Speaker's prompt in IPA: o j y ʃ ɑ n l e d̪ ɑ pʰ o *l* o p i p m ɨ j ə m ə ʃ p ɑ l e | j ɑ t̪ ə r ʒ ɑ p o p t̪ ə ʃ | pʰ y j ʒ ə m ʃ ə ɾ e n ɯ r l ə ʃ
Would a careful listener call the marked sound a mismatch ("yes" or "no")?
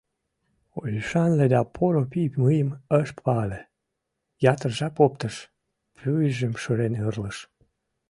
yes